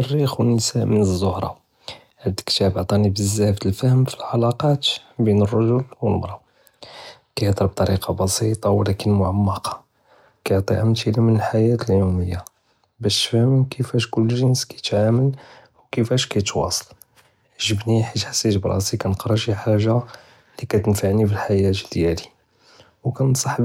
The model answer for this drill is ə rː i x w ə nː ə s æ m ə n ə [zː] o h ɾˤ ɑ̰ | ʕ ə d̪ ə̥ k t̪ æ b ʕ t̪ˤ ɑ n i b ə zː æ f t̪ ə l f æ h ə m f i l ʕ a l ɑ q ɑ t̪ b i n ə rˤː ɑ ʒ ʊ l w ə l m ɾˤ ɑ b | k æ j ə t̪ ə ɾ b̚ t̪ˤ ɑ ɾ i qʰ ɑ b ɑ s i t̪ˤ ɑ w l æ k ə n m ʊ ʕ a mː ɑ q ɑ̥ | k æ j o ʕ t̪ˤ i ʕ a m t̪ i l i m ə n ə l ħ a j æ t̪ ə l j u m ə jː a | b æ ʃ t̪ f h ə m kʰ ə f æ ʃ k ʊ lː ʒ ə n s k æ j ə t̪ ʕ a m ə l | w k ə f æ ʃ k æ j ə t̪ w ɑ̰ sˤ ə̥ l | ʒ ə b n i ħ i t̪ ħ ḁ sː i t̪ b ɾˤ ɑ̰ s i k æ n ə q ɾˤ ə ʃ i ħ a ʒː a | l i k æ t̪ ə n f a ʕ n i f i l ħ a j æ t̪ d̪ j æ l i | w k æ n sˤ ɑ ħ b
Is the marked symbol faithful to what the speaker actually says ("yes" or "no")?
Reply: yes